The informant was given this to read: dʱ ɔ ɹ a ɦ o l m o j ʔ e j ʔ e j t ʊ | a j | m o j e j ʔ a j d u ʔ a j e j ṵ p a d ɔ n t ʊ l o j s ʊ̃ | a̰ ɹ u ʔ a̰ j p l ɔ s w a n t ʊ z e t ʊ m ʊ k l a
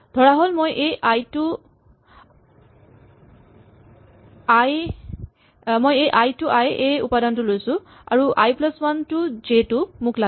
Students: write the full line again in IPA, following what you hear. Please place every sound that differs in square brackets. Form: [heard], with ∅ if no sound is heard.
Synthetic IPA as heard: dʱ ɔ ɹ a ɦ o l m o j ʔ e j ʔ [a] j t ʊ | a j | m o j e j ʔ a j [t] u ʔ a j e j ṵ p a d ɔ n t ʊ l o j s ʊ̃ | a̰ ɹ u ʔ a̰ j p l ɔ s w a n t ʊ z e t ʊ m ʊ k l a